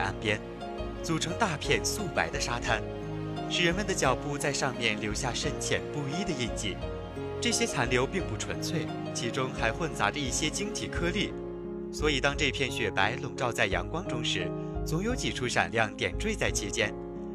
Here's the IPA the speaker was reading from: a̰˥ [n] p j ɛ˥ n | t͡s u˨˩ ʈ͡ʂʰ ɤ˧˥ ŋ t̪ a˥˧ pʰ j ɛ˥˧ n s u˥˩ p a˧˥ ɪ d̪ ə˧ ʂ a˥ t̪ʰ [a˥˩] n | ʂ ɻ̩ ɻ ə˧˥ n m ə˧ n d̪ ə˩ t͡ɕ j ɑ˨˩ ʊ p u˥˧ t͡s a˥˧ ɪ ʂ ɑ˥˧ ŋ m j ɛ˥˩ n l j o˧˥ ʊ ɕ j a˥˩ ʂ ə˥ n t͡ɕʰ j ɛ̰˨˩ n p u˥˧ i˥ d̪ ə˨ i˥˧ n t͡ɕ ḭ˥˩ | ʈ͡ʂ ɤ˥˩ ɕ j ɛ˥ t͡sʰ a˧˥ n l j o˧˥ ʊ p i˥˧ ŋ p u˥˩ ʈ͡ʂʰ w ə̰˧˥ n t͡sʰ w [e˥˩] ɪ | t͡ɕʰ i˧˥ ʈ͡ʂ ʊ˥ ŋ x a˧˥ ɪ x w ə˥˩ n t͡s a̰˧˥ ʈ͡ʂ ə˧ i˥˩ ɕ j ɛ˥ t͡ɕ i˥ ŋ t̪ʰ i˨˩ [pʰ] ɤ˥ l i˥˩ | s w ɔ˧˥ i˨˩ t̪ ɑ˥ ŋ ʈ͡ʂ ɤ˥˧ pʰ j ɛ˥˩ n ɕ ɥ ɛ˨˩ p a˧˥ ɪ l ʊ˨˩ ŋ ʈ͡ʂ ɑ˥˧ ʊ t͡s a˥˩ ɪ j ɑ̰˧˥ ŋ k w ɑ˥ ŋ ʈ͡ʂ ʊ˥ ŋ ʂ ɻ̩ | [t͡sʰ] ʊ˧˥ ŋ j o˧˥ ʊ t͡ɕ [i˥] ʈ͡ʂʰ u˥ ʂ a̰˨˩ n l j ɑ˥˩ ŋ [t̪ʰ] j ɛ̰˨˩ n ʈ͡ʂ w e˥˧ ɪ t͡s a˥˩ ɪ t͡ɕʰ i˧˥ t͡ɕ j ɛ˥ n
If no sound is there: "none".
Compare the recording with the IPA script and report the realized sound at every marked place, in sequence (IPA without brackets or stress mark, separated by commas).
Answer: n, a˥, e˥˩, kʰ, t͡s, i˨˩, t̪